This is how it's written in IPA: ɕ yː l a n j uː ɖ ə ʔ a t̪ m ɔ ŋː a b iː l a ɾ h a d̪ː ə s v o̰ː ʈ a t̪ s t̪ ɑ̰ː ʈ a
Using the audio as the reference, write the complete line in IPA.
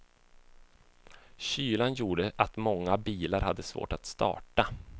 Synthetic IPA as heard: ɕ yː l a n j uː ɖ ə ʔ a t̪ m ɔ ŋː a b iː l a ɾ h a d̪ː ə s v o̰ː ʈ a t̪ s t̪ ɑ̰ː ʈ a